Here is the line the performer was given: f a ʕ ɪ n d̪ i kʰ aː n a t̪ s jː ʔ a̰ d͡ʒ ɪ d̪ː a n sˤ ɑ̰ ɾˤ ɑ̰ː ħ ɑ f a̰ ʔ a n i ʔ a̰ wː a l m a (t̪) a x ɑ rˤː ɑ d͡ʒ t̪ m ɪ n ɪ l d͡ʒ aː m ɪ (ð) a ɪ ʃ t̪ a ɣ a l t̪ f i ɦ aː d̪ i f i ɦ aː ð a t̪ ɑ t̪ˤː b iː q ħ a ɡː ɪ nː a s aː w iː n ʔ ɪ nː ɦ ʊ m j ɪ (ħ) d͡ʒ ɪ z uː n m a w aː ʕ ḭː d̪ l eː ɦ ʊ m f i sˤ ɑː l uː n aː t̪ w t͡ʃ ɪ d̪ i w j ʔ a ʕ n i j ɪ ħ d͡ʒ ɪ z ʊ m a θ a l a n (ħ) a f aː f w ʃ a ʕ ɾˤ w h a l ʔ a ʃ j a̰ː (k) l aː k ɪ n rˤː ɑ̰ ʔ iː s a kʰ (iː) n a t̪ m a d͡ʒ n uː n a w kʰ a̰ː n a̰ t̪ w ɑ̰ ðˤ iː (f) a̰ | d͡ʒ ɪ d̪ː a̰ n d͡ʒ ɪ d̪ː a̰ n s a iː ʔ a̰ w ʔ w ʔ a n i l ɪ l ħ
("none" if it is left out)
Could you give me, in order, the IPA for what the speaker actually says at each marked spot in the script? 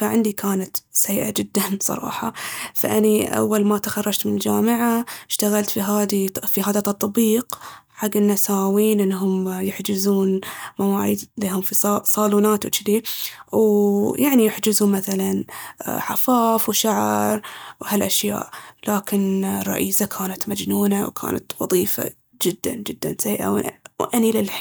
t̪, ʕ, ħ, ħ, ʔ, aː, f

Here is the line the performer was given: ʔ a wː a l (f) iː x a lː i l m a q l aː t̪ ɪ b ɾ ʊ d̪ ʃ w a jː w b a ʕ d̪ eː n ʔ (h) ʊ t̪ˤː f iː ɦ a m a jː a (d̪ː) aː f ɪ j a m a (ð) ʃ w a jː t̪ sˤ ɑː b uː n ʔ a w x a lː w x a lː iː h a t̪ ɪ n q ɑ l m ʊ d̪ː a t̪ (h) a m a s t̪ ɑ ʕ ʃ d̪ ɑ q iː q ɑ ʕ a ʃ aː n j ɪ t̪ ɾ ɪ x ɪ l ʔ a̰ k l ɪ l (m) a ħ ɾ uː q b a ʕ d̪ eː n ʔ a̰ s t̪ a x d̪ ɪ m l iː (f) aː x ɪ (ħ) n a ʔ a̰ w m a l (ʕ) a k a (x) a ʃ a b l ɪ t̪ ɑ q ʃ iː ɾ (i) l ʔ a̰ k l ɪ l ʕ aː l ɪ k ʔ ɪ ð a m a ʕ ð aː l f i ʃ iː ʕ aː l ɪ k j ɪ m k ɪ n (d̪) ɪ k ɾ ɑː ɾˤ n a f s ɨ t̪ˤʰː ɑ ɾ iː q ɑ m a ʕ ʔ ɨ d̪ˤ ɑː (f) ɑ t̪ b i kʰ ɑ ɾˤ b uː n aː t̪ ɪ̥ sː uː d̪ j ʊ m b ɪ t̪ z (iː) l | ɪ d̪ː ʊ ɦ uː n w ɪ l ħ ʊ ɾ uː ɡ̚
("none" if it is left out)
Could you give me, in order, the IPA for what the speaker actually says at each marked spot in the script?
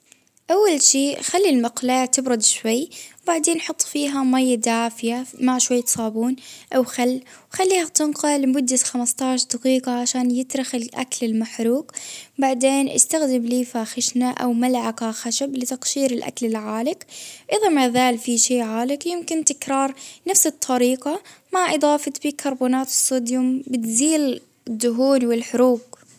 ʃ, ħ, d̪, ʕ, x, m, f, ʃ, ʕ, x, ɪ, t̪, f, iː

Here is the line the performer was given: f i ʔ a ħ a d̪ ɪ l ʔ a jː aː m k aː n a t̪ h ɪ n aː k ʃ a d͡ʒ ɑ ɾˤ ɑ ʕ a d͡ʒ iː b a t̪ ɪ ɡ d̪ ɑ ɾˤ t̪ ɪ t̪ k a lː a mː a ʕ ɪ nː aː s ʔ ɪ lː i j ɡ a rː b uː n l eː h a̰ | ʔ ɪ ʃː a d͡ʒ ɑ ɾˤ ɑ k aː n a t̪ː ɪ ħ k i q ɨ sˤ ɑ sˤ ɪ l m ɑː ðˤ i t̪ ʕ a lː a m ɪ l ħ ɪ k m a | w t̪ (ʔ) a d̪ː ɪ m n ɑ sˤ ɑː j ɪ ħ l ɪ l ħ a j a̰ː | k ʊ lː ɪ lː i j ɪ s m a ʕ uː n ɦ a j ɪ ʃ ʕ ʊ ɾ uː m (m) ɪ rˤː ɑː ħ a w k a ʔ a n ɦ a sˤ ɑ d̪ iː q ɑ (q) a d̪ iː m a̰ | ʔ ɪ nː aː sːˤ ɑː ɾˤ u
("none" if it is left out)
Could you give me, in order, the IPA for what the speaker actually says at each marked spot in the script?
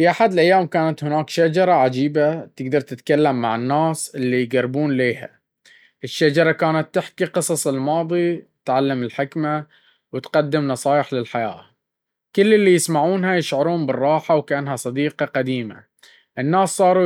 q, b, q

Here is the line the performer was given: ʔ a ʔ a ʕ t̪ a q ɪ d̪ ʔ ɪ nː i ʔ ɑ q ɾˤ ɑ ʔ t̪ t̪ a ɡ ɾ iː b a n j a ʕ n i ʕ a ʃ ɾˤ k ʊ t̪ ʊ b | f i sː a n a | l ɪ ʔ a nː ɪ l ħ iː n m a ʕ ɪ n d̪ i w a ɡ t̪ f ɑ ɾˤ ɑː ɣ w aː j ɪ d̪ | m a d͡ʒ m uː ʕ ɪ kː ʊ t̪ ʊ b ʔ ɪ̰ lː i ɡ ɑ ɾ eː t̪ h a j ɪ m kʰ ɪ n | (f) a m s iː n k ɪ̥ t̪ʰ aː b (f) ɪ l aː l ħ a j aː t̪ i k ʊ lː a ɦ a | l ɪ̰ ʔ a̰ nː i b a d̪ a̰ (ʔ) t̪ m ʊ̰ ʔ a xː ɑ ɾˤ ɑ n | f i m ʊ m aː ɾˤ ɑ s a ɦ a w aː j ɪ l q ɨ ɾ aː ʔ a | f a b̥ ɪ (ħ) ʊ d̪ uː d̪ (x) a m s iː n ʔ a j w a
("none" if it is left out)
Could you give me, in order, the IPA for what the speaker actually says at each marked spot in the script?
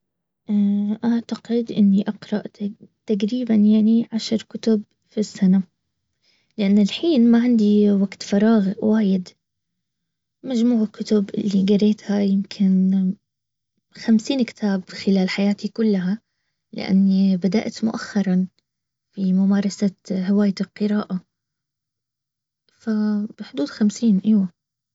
x, x, ʔ, ħ, x

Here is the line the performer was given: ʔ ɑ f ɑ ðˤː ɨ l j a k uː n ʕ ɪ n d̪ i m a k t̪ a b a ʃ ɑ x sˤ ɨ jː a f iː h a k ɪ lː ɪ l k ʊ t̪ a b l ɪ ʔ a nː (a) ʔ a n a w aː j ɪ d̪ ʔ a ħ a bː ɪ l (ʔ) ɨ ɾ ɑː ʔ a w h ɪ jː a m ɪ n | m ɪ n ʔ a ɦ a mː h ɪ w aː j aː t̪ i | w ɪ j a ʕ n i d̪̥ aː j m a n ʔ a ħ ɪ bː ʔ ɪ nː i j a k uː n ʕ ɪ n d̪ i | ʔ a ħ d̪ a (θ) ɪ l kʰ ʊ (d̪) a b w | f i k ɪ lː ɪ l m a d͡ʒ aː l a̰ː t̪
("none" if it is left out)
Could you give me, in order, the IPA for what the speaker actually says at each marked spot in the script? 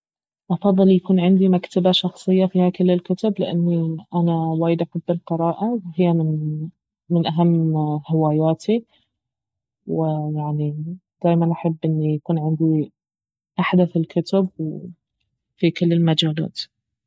i, q, θ, t̪

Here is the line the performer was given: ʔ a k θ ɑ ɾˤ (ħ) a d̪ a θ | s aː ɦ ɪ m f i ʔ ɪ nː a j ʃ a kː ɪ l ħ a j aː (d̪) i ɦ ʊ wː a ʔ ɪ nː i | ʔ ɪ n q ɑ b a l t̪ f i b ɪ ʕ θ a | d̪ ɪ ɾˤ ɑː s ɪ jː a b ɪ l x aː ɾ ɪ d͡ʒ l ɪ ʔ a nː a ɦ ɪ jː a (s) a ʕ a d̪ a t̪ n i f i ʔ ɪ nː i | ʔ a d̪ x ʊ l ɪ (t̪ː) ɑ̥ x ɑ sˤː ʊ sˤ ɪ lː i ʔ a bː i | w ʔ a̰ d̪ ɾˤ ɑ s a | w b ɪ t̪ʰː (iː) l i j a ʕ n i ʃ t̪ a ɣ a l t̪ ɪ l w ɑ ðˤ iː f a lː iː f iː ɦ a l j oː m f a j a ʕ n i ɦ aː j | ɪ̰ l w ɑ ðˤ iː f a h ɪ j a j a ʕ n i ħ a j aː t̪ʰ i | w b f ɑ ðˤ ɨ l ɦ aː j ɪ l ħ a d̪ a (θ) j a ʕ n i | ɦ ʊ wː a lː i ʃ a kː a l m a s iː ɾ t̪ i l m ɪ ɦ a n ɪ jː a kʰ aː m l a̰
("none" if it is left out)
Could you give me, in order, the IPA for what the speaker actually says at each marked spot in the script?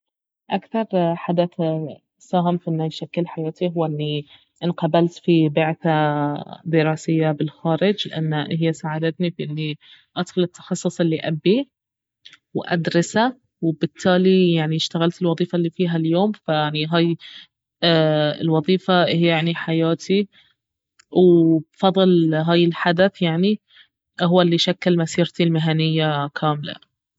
ħ, t̪, s, t̪ː, aː, θ

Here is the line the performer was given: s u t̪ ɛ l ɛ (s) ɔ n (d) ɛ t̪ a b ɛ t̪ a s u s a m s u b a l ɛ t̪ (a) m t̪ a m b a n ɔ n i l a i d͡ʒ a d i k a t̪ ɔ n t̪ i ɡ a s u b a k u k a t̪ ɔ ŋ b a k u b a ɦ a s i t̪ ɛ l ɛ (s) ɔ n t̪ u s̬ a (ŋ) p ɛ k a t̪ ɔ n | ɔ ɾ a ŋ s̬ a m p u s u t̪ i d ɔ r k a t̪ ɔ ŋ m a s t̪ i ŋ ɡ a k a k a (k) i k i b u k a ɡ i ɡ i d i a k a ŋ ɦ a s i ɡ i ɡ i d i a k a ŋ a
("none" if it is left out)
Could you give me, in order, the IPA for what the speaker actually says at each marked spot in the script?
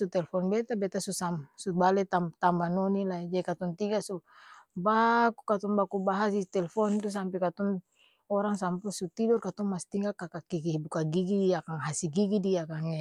f, b, a, f, m, k

